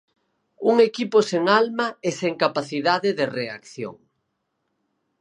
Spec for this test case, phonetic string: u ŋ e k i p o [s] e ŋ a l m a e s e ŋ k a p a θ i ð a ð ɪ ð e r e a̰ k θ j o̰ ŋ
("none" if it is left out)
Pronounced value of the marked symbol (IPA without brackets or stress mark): s